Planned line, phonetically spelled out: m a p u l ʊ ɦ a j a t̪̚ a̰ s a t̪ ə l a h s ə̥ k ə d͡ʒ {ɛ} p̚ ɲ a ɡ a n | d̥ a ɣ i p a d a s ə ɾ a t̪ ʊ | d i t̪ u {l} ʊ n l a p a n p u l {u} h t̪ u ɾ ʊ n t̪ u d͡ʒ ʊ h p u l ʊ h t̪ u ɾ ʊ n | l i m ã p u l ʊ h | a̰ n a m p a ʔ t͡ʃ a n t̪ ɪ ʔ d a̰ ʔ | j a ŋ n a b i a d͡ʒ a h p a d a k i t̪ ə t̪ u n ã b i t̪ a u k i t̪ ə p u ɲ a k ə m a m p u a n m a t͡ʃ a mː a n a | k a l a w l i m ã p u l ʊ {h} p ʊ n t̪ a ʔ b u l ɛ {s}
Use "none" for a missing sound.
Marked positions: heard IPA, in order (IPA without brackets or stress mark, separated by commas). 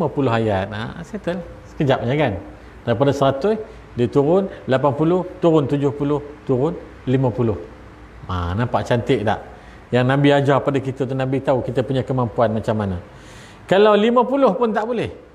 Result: a, ɾ, ʊ, h, h